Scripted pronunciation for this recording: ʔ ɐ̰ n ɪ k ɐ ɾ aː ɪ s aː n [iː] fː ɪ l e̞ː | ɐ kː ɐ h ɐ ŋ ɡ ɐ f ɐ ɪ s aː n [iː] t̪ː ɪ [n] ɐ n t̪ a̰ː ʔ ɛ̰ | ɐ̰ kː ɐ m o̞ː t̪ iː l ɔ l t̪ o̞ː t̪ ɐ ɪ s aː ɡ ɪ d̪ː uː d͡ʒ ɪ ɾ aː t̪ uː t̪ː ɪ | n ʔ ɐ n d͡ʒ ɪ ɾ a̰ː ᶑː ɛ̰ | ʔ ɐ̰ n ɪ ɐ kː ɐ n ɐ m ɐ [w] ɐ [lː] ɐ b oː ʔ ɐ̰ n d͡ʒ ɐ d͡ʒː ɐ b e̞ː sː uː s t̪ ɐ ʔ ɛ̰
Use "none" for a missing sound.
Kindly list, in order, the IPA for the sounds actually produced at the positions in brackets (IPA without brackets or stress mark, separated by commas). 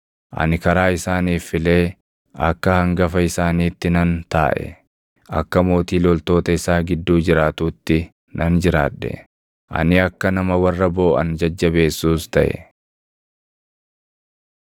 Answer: iː, iː, n, w, rː